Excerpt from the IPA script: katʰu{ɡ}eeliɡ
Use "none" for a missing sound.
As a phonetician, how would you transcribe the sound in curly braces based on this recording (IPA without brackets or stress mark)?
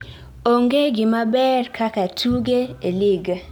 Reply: ɡ